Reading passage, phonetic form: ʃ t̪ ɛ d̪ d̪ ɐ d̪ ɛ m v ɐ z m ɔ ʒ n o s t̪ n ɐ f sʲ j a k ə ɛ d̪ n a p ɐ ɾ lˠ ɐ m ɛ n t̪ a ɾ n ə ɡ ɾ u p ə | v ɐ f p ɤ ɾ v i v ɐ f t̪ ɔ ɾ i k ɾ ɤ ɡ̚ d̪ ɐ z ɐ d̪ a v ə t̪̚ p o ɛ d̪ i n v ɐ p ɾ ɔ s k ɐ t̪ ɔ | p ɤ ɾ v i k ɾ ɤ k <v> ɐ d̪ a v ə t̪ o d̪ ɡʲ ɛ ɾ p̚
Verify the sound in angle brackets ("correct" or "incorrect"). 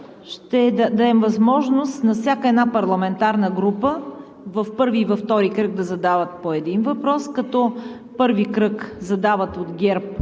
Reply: incorrect